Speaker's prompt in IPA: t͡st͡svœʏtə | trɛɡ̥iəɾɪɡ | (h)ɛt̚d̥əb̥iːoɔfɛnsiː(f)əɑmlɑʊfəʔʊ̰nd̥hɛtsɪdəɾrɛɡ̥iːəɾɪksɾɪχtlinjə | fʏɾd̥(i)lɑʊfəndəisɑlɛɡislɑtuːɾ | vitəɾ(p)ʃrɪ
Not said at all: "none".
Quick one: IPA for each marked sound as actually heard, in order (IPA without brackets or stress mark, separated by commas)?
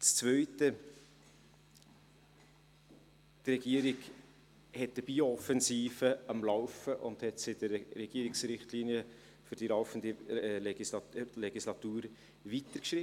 h, f, i, k